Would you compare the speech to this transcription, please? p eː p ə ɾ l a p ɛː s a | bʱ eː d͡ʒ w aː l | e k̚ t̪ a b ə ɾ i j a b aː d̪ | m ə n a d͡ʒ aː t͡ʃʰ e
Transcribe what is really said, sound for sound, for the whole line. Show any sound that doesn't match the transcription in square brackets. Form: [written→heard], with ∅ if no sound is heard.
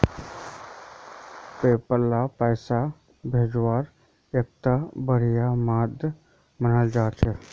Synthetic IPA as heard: p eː p ə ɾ l a p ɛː s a | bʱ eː d͡ʒ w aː [l→ɾ] | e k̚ t̪ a b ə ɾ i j a [b→m] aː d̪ | m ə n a d͡ʒ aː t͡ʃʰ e

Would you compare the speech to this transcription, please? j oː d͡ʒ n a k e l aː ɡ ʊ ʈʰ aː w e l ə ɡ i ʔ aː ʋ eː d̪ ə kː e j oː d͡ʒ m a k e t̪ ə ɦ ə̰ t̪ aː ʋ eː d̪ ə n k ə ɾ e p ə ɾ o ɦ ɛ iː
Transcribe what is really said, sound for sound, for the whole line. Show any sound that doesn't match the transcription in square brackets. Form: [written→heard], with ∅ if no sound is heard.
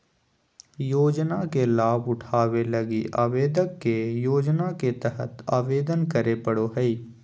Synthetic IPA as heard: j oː d͡ʒ n a k e l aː [ɡ→b] ʊ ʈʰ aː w e l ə ɡ i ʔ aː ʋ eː d̪ ə kː e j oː d͡ʒ [m→n] a k e t̪ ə ɦ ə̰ t̪ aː ʋ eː d̪ ə n k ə ɾ e p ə [ɾ→ɽ] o ɦ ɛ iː

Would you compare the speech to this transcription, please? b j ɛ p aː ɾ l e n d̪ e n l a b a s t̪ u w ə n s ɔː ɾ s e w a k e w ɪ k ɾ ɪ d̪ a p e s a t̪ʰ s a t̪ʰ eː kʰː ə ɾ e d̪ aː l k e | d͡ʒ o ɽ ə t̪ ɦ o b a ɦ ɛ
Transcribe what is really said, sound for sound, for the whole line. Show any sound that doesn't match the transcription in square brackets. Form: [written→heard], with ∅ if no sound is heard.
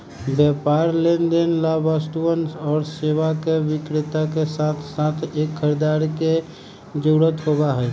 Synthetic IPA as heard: b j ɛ p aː ɾ l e n d̪ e n l a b a s t̪ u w ə n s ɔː ɾ s e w a k e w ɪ k ɾ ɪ [d̪→t̪] a [p→k] e s a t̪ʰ s a t̪ʰ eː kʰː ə ɾ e d̪ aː [l→ɾ] k e | d͡ʒ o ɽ ə t̪ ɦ o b a ɦ ɛ

